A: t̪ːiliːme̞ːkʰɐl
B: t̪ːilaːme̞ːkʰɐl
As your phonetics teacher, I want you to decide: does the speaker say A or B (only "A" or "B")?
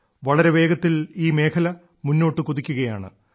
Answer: A